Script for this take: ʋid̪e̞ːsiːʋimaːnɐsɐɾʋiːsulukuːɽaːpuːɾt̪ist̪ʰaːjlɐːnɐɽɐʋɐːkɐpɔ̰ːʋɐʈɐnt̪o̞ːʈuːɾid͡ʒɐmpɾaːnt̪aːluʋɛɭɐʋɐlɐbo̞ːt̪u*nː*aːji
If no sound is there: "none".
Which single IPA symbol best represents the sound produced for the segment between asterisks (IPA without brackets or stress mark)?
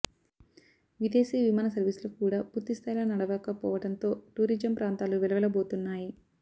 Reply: nː